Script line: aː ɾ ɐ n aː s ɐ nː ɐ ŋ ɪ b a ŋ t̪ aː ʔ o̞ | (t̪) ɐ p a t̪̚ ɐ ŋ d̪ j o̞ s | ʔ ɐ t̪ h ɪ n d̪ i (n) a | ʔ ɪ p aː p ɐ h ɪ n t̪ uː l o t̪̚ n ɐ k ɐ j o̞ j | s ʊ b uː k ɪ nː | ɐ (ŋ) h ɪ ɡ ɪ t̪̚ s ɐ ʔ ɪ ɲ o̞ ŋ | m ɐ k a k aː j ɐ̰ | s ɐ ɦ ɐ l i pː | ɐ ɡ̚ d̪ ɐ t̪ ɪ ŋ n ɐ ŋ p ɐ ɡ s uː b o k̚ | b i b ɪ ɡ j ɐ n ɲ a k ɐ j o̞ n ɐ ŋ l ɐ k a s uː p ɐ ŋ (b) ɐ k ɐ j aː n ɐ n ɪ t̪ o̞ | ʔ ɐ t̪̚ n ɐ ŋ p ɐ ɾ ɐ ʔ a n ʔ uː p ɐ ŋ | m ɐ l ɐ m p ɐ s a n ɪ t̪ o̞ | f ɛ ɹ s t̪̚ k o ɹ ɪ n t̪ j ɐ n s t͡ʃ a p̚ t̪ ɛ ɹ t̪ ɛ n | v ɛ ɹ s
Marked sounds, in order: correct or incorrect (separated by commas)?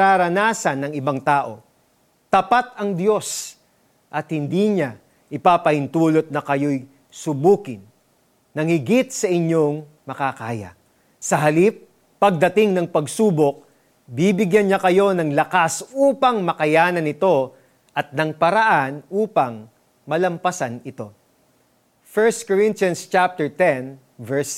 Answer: correct, incorrect, correct, incorrect